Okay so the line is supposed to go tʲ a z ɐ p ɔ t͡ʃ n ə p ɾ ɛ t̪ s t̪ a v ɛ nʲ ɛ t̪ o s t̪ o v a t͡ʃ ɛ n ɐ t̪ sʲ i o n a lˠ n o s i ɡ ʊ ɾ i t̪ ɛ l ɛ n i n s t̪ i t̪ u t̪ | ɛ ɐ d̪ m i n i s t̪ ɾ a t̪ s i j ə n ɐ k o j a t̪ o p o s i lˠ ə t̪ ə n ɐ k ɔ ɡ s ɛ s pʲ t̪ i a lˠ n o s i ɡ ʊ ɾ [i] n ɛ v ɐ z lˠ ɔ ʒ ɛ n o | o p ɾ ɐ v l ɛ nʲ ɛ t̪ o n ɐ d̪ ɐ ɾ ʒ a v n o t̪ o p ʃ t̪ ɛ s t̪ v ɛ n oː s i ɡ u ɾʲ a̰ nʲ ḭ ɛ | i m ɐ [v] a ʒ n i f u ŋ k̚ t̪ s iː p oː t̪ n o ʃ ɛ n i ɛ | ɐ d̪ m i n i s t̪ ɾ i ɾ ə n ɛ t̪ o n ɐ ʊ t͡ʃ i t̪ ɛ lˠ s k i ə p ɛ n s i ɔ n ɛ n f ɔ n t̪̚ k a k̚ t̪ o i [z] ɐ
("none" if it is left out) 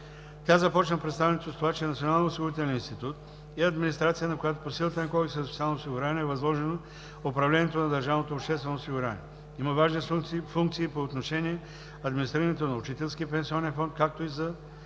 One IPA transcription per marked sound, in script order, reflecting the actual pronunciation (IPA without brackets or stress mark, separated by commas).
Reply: a, v, z